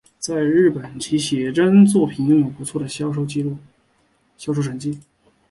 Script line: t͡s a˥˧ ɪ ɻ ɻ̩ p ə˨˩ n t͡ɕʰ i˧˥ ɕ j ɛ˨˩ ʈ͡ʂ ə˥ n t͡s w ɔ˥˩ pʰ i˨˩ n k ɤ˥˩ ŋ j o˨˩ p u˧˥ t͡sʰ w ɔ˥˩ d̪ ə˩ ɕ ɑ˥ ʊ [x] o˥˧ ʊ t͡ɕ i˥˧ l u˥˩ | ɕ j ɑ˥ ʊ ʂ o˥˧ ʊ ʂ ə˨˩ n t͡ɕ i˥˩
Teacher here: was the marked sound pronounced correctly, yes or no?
no